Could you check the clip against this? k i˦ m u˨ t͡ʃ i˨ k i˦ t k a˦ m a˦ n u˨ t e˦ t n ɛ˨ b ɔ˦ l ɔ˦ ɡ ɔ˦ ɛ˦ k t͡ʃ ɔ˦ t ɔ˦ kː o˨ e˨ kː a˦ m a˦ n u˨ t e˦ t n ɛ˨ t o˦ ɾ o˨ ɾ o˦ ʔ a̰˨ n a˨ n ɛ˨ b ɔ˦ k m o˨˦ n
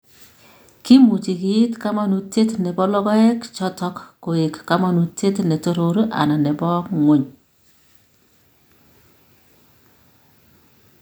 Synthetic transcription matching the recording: k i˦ m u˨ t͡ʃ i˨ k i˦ t k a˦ m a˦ n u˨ t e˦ t n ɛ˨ b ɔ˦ l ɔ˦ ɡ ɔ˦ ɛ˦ k t͡ʃ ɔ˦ t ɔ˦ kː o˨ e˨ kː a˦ m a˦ n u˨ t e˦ t n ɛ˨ t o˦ ɾ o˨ ɾ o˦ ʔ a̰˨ n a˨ n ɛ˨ b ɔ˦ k ŋ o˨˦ ɲ